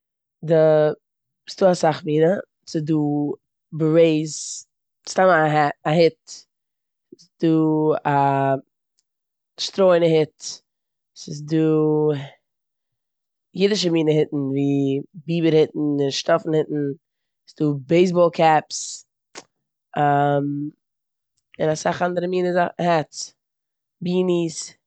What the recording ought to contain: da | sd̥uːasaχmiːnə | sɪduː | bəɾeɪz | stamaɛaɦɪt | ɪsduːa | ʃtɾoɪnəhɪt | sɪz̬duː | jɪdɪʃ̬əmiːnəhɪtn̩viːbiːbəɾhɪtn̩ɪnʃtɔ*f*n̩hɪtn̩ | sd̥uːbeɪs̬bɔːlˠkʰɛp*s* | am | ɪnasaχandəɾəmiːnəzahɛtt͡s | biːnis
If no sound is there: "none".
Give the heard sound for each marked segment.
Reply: f, s

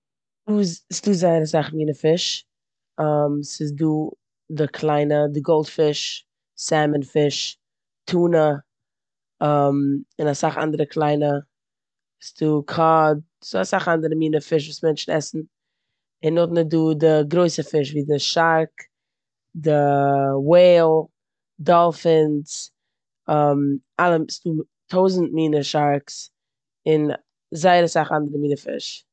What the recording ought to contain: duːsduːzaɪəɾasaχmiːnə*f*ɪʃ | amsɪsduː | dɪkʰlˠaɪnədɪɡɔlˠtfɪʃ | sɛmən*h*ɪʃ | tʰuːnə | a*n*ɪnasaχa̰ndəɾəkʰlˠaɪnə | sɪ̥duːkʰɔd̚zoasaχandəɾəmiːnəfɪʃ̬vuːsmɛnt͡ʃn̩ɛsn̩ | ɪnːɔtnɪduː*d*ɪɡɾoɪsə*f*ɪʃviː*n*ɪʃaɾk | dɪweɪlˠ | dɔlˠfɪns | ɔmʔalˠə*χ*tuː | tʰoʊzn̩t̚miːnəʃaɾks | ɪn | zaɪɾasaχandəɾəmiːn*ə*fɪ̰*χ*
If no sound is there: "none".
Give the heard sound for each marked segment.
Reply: f, f, m, d, f, d, s, ə, ʃ

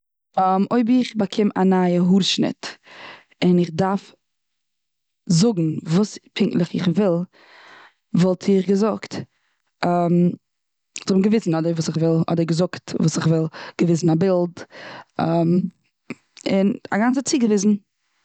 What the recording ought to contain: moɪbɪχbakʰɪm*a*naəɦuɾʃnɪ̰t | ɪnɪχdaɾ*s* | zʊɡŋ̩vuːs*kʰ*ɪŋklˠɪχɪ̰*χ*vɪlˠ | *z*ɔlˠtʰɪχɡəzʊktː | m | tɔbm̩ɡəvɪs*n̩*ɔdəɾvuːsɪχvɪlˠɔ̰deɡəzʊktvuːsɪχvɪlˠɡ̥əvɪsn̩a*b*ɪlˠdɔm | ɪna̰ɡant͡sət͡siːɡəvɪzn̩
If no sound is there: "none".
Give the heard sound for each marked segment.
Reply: a, f, pʰ, χ, v, n̩, b

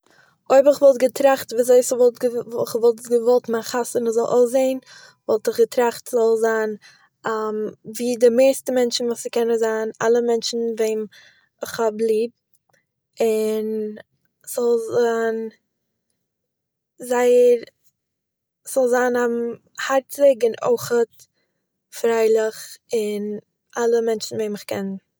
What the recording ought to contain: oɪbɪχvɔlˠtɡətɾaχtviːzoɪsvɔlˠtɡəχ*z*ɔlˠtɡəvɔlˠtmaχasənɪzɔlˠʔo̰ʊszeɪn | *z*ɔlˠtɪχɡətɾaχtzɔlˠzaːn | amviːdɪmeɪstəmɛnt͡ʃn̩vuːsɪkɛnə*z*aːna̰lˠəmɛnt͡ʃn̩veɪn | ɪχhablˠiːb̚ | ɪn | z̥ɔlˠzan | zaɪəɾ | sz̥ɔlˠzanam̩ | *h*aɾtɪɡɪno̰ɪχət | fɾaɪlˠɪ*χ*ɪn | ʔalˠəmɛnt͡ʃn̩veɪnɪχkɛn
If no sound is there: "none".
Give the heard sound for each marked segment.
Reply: v, v, z, h, χ

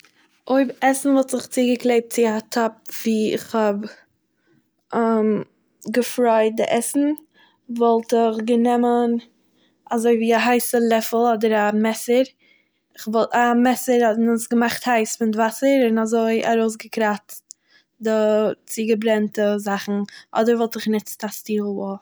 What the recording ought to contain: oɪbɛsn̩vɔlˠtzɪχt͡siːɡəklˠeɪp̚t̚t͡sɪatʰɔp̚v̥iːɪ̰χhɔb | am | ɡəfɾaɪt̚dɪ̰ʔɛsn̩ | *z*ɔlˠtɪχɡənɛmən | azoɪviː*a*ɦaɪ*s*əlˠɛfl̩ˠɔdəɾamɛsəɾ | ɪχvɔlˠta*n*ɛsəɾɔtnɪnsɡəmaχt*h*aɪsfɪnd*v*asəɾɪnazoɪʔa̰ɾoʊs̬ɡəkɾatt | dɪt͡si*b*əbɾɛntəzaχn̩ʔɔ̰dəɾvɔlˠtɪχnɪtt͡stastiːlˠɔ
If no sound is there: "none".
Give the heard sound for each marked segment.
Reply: v, a, s, m, h, v, ɡ

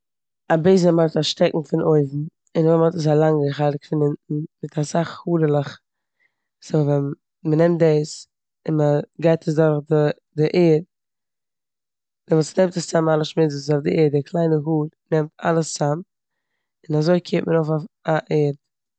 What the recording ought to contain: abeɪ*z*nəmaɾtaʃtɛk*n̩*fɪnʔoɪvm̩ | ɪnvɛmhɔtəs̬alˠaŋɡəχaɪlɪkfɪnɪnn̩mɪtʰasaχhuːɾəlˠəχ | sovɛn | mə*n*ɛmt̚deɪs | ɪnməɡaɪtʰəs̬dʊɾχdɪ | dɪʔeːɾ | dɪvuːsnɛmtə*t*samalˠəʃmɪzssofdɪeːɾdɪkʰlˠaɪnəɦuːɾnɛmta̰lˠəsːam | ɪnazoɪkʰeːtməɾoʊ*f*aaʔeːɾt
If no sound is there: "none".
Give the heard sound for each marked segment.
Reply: z, ŋ̩, n, s, f

